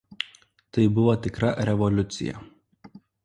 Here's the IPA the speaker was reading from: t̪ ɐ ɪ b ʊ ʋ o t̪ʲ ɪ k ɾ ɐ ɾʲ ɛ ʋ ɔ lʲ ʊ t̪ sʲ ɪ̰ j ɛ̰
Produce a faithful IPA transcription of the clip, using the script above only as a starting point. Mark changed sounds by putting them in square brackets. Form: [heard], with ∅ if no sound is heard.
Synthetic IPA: t̪ ɐ ɪ b ʊ ʋ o t̪ʲ ɪ k ɾ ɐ ɾʲ ɛ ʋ ɔ lʲ ʊ t̪ sʲ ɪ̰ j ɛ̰